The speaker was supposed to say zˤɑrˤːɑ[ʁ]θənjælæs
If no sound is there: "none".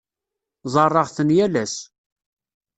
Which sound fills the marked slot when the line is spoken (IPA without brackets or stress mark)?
ʁ